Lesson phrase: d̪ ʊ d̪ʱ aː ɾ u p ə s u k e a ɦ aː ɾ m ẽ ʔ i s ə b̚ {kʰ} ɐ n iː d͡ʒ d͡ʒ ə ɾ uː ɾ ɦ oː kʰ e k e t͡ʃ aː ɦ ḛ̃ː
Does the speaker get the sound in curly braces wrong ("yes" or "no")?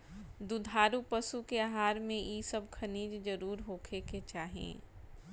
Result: no